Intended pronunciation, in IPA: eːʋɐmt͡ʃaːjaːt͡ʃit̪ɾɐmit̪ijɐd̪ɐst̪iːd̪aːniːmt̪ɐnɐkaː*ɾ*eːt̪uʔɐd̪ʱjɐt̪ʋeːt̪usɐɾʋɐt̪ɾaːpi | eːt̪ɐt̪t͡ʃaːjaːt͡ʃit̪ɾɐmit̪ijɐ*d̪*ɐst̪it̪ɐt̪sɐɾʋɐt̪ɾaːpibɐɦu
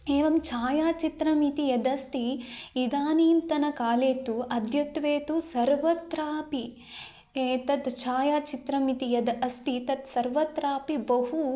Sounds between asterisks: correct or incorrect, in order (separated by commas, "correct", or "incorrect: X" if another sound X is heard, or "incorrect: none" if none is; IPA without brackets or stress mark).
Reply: incorrect: l, correct